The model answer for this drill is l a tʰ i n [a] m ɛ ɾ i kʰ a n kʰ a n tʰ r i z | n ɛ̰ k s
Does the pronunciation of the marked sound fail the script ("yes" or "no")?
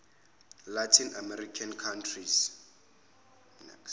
no